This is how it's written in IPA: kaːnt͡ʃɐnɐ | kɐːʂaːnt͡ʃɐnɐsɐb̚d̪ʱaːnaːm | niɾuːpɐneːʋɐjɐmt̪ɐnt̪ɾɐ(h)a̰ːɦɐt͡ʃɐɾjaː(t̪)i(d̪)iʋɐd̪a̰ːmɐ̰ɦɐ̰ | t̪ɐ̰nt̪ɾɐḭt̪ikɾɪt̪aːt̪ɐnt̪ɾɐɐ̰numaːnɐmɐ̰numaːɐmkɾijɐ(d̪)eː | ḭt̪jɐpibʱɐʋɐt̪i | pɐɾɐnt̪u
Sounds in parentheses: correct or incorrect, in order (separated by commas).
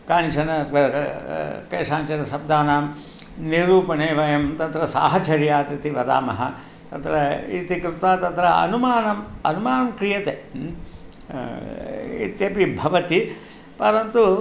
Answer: incorrect, correct, incorrect, incorrect